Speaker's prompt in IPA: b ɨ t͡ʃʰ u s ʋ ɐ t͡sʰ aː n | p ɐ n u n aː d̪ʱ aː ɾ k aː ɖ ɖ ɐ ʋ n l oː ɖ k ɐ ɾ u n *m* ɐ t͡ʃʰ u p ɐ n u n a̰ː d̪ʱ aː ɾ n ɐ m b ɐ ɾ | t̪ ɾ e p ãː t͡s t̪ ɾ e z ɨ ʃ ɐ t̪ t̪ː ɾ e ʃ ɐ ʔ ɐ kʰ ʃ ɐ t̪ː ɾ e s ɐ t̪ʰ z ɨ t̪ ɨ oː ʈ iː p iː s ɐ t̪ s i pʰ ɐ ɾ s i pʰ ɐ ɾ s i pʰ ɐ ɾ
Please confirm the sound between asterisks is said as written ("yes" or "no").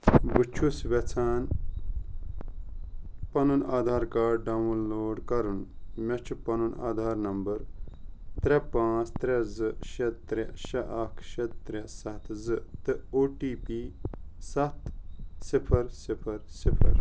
yes